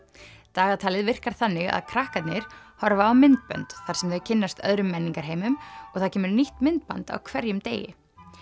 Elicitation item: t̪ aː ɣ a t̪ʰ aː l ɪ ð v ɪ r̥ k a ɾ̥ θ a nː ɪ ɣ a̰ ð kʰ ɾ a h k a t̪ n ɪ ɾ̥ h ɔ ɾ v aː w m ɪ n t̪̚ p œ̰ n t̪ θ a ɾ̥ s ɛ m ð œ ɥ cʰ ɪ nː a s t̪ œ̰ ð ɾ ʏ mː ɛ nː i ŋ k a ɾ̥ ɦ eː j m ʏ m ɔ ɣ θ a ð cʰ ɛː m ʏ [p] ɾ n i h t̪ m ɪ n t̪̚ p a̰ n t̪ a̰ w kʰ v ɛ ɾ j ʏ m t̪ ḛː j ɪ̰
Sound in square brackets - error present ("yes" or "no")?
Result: yes